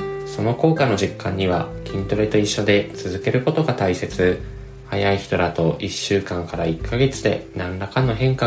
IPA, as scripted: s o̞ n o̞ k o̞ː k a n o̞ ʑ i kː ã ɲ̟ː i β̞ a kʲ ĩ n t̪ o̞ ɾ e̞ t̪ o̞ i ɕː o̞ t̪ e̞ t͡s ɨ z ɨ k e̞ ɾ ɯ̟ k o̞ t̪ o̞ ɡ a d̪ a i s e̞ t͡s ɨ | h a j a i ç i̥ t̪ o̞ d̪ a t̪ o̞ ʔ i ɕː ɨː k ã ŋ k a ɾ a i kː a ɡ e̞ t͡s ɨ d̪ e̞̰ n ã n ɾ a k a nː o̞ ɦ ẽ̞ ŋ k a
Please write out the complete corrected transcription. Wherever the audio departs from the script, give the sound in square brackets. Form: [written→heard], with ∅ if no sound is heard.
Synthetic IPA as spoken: s o̞ n o̞ k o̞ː k a n o̞ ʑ i kː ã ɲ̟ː i β̞ a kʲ ĩ n t̪ o̞ ɾ e̞ t̪ o̞ i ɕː o̞ [t̪→d̪] e̞ t͡s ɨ z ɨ k e̞ ɾ ɯ̟ k o̞ t̪ o̞ ɡ a [d̪→t̪] a i s e̞ t͡s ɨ | h a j a i ç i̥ t̪ o̞ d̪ a t̪ o̞ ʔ i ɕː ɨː k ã ŋ k a ɾ a i kː a ɡ e̞ t͡s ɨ d̪ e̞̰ n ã n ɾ a k a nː o̞ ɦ ẽ̞ ŋ k a